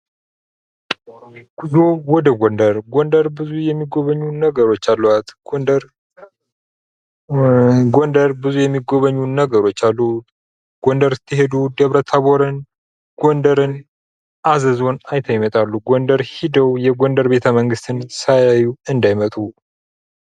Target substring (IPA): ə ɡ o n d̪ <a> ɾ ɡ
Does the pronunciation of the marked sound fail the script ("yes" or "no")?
yes